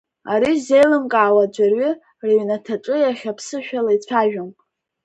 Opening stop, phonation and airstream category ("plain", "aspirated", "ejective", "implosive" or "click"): ejective